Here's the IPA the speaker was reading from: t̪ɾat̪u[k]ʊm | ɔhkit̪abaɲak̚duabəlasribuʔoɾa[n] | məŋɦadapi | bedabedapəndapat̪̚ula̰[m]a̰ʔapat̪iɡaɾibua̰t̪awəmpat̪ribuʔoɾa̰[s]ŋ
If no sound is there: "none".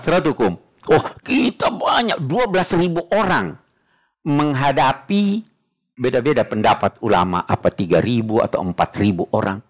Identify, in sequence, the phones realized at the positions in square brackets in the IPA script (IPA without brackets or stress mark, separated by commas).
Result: k, ŋ, m, none